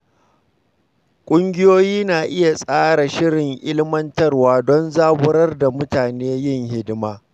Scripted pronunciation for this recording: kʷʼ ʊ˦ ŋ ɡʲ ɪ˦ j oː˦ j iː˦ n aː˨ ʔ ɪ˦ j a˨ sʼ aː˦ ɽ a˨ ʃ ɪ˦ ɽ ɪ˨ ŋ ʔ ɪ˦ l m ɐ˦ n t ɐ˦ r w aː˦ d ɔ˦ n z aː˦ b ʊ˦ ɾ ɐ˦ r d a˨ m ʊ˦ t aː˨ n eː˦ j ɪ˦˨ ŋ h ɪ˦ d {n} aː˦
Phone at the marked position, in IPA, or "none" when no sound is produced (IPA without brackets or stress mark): m